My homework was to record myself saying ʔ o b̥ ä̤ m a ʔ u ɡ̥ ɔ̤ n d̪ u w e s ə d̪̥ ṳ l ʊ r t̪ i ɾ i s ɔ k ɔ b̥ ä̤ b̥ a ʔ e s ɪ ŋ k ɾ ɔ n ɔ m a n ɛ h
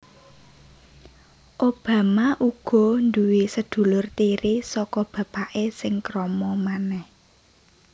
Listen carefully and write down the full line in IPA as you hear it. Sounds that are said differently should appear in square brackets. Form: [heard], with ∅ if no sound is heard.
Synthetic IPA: ʔ o b̥ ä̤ m a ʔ u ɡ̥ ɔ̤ n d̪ u w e s ə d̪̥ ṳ l ʊ r t̪ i ɾ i s ɔ k ɔ b̥ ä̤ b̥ a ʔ e s ɪ ŋ k ɾ ɔ [m] ɔ m a n ɛ h